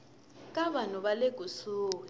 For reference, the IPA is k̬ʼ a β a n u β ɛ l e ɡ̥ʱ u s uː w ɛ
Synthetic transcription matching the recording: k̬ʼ a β a n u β a l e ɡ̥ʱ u s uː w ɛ